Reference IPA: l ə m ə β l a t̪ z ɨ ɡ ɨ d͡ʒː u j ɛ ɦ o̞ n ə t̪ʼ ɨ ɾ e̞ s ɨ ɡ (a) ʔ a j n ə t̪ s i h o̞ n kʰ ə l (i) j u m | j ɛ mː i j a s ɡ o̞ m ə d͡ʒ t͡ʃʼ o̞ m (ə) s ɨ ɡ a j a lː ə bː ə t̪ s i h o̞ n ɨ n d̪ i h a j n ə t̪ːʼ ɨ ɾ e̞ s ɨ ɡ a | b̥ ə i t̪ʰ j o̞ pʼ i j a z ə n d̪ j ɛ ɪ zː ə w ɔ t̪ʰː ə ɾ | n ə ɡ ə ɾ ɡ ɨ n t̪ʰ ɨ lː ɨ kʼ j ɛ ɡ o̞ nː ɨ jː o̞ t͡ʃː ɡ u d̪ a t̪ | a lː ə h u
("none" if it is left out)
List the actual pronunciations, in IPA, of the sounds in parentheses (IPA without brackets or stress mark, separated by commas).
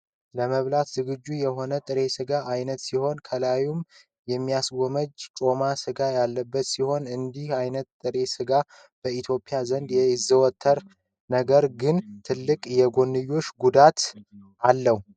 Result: a, a, a